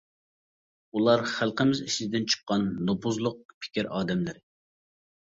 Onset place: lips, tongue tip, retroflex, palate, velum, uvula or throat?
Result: tongue tip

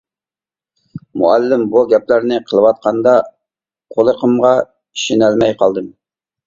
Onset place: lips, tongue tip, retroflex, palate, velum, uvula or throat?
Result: lips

